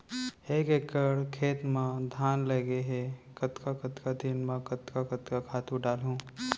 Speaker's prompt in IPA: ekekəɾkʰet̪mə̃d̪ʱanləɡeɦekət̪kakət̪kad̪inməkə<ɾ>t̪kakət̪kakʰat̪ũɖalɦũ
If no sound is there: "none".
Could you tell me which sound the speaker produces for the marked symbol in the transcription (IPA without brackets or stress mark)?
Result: none